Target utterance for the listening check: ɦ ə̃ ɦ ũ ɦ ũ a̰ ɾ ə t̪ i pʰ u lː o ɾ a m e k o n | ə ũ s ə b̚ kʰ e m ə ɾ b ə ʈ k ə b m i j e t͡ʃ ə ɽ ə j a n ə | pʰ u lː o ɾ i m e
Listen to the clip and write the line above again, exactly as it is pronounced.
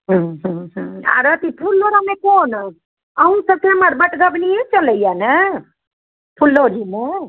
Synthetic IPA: ɦ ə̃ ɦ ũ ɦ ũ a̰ ɾ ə t̪ i pʰ u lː o ɾ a m e k o n | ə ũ s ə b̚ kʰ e m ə ɾ b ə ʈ ɡ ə b n i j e t͡ʃ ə l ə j a n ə | pʰ u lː o ɾ i m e

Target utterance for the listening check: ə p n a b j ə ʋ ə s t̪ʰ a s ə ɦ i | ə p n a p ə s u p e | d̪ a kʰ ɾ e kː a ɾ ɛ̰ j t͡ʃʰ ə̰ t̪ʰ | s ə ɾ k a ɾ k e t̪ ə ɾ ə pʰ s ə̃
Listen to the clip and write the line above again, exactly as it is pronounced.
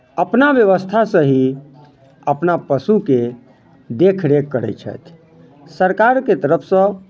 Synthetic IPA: ə p n a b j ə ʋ ə s t̪ʰ a s ə ɦ i | ə p n a p ə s u k e | d̪ e kʰ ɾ e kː ə ɾ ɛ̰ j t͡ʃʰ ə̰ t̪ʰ | s ə ɾ k a ɾ k e t̪ ə ɾ ə pʰ s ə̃

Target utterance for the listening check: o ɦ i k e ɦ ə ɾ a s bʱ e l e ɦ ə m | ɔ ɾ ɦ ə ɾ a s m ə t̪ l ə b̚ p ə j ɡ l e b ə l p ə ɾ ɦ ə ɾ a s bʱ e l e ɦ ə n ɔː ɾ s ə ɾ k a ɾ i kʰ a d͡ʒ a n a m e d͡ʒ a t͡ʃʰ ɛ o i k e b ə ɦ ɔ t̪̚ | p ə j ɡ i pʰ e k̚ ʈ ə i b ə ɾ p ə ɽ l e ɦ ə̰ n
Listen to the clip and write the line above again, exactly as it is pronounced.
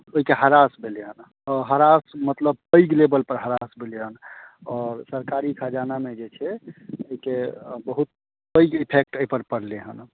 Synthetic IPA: o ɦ i k e ɦ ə ɾ a s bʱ e l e ɦ ə n | ɔ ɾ ɦ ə ɾ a s m ə t̪ l ə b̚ p ə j ɡ l e b ə l p ə ɾ ɦ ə ɾ a s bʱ e l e ɦ ə n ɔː ɾ s ə ɾ k a ɾ i kʰ a d͡ʒ a n a m e d͡ʒ e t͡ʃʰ ɛ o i k e b ə ɦ u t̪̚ | p ə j ɡ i pʰ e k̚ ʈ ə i p ə ɾ p ə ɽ l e ɦ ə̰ n

